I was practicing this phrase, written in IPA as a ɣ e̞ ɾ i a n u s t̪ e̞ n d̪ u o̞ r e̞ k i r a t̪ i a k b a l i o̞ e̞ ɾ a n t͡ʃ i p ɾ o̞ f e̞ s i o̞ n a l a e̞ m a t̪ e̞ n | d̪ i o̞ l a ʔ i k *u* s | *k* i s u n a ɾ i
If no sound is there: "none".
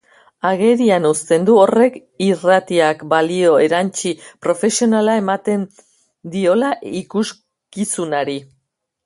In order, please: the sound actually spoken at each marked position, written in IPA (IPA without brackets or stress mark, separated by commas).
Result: u, k